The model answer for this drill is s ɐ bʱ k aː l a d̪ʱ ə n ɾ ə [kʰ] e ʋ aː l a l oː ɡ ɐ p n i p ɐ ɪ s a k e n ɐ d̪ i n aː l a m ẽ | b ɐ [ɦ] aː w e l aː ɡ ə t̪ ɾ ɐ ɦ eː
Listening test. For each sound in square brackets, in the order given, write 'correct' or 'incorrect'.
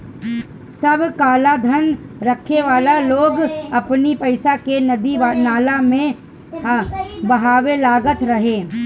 correct, correct

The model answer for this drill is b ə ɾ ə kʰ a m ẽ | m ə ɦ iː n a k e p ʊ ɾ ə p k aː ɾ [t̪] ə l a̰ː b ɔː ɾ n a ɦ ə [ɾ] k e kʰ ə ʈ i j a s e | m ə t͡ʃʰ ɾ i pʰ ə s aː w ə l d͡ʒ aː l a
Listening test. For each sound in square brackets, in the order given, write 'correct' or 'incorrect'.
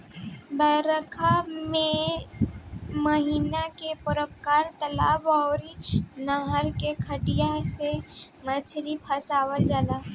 correct, correct

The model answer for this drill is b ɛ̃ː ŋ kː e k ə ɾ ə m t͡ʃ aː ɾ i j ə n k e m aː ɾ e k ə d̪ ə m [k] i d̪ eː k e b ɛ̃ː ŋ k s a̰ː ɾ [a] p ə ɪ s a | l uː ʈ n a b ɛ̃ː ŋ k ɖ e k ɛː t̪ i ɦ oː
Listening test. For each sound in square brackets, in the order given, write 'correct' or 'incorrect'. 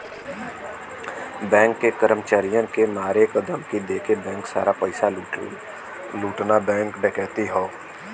correct, correct

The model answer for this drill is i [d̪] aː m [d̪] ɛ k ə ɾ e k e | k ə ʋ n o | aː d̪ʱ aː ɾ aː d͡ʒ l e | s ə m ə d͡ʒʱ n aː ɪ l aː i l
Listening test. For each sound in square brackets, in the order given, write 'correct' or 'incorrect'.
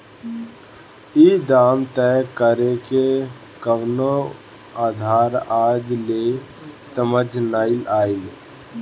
correct, incorrect: t̪

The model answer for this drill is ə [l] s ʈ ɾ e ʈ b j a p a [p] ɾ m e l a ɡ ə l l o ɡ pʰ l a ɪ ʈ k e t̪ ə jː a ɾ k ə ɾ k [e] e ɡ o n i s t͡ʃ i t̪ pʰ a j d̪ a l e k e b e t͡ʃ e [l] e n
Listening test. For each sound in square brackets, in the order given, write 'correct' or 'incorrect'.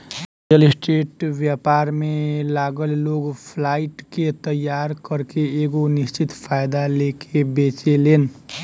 correct, incorrect: none, correct, correct

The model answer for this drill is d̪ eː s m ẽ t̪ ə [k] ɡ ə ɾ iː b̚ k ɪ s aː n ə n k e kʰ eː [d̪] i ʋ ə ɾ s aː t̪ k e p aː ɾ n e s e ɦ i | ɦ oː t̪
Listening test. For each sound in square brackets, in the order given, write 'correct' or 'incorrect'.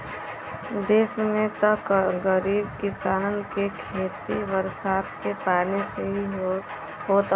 correct, incorrect: t̪

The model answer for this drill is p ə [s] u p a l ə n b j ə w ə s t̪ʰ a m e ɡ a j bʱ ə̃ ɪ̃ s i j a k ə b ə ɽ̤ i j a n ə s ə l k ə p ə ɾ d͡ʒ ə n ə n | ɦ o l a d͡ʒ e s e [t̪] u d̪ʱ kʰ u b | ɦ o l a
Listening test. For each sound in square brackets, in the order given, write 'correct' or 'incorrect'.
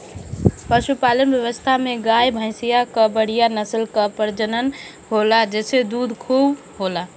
incorrect: ʃ, incorrect: d̪

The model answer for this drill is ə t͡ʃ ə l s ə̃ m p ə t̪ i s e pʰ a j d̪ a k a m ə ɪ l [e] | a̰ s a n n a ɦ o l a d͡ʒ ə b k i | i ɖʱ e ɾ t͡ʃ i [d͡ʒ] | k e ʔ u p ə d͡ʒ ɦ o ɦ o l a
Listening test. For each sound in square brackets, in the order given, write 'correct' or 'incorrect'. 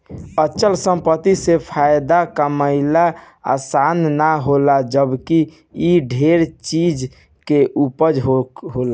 incorrect: a, correct

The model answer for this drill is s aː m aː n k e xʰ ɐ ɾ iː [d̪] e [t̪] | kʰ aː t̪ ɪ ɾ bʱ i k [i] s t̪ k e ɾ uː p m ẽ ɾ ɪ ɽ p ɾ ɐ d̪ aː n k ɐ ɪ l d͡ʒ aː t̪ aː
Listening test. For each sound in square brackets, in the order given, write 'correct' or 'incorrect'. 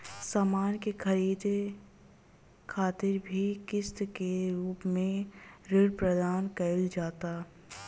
correct, incorrect: none, incorrect: ɪ

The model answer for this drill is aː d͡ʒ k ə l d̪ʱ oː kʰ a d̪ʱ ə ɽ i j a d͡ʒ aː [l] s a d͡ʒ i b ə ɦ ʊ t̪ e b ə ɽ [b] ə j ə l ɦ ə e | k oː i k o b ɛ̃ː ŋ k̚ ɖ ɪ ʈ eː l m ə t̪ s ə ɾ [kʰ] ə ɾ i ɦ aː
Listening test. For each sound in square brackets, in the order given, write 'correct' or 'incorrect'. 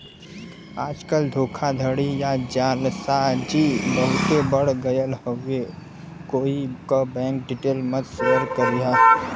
correct, incorrect: ɡ, incorrect: k

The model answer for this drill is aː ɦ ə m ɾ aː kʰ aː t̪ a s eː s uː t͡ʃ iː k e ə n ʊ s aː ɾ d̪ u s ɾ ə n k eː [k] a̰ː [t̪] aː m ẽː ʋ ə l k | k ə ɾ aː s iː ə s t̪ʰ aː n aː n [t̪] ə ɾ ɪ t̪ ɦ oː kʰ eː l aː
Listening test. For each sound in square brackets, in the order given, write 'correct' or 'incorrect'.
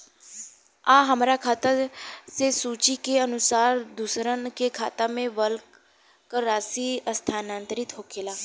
incorrect: kʰ, correct, correct

